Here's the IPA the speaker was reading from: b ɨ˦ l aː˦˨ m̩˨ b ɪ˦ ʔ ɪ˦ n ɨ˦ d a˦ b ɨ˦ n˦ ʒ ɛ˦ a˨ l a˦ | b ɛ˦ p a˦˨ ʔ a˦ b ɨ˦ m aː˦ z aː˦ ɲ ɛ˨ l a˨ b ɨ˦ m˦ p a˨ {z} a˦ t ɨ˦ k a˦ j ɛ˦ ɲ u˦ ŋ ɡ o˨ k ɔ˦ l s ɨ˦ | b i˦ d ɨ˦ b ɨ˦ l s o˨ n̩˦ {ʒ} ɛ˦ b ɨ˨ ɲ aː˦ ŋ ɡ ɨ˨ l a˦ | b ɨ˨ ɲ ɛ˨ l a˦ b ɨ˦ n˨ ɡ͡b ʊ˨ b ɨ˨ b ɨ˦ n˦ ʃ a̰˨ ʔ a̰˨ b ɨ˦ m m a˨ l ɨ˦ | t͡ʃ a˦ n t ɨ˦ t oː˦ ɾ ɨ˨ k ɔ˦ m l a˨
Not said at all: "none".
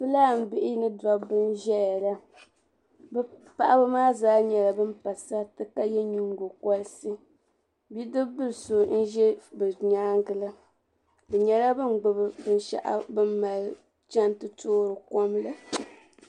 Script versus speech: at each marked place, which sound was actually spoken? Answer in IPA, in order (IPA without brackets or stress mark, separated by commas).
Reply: s, ʒ